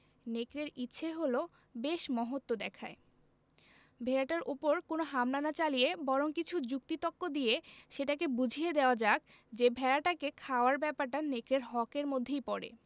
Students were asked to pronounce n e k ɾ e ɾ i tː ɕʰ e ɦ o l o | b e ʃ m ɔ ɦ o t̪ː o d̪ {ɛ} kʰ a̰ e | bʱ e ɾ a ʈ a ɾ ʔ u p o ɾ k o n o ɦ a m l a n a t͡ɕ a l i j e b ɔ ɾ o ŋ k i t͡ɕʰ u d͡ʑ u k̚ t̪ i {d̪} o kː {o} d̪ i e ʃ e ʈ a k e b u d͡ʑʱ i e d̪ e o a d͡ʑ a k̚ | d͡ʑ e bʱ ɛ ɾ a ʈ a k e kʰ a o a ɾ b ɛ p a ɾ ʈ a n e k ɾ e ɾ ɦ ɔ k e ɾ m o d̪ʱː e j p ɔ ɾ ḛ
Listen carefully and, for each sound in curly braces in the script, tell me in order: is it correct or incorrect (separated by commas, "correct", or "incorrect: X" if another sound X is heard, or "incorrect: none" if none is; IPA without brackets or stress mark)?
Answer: correct, incorrect: t̪, correct